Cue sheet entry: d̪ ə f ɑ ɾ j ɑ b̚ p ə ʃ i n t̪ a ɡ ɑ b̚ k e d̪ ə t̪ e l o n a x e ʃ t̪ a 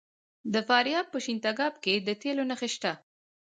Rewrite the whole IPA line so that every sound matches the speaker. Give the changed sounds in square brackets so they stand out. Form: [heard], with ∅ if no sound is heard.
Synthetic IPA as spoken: d̪ ə f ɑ ɾ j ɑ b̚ p ə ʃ i n t̪ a ɡ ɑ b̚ k e d̪ ə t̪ e l o n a x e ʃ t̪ a